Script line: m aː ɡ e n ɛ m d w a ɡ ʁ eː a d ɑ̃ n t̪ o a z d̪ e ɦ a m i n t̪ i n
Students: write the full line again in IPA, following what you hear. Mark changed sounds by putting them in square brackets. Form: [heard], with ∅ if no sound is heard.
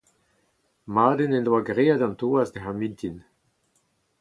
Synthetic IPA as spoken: m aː [d] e n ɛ [n] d w a ɡ ʁ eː a d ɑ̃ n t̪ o a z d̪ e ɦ a m i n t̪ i n